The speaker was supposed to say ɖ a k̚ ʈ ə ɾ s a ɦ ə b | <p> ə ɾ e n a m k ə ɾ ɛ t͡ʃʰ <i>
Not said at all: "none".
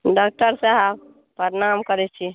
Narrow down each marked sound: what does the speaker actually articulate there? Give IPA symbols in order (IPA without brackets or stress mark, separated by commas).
p, i